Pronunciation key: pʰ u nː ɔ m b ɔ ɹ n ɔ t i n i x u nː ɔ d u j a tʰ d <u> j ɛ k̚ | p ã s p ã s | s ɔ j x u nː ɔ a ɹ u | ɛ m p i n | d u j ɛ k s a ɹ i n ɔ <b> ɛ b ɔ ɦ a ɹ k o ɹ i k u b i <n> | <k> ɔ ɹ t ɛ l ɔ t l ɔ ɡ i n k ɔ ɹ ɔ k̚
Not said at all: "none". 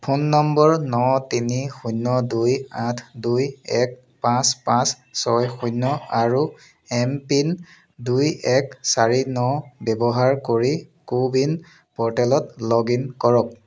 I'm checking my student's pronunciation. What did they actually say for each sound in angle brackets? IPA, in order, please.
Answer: u, b, n, p

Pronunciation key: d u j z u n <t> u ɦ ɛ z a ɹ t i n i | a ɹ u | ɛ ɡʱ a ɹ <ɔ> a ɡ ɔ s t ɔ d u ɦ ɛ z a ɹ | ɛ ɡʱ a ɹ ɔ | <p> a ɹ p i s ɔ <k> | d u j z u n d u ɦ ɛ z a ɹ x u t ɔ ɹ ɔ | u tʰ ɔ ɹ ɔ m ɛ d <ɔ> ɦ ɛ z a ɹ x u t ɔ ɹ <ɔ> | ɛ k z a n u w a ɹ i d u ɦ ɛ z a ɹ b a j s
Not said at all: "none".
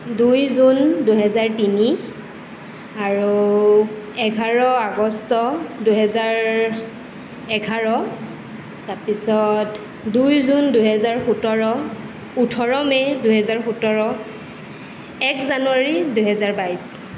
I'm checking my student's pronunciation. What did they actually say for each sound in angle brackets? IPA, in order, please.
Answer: d, ɔ, t, t, u, ɔ

